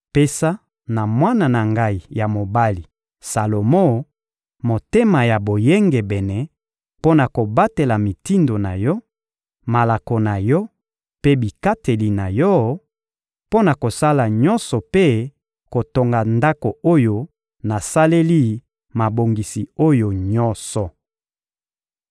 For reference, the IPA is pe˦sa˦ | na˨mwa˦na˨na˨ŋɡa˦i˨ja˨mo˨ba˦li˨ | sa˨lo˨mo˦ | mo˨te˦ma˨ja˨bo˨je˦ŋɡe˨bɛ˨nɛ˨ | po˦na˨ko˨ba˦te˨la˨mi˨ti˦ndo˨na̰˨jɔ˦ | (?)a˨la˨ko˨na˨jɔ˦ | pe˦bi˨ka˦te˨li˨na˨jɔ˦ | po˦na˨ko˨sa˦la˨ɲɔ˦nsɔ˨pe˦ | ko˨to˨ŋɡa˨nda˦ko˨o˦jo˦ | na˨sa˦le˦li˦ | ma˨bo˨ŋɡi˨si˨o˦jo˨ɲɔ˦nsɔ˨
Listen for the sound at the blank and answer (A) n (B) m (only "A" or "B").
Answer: B